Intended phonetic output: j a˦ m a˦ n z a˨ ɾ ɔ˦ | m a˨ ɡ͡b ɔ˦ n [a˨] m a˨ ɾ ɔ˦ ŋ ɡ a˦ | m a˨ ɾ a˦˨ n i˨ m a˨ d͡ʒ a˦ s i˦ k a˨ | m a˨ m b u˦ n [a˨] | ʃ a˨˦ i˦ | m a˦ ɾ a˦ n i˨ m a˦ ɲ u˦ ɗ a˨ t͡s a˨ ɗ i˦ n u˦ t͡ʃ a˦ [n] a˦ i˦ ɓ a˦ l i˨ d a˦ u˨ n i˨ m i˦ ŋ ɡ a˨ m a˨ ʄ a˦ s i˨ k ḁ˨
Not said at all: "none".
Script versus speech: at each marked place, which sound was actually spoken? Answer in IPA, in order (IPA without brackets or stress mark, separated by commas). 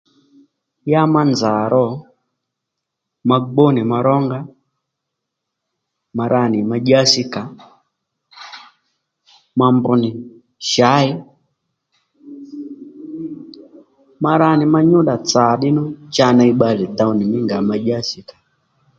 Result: i˨, i˨, n